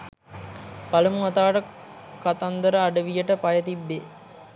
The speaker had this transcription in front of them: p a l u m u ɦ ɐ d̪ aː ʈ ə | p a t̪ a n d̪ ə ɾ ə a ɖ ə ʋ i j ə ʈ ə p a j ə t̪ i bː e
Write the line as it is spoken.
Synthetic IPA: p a l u m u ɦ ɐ t̪ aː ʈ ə | k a t̪ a n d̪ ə ɾ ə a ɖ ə ʋ i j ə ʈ ə p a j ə t̪ i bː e